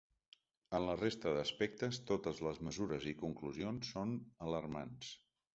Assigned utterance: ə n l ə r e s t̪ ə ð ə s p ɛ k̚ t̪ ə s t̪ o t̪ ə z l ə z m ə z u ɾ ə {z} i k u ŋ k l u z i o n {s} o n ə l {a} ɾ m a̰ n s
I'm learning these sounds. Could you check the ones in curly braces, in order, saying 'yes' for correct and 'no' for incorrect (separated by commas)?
yes, no, no